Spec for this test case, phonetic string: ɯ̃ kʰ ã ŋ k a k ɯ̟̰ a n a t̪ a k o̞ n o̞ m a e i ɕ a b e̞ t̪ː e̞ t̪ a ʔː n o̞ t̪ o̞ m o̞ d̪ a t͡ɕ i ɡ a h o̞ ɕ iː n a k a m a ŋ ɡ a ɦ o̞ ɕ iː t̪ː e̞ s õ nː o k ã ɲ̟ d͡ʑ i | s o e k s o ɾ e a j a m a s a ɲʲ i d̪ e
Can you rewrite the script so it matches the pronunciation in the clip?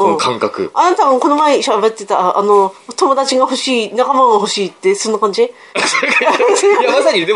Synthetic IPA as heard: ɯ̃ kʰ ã ŋ k a k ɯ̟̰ a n a t̪ a k o̞ n o̞ m a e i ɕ a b e̞ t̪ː e̞ t̪ a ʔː n o̞ t̪ o̞ m o̞ d̪ a t͡ɕ i ɡ a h o̞ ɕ iː n a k a m a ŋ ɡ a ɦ o̞ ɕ iː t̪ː e̞ s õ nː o k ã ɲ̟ d͡ʑ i | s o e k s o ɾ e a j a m a s a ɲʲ i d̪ e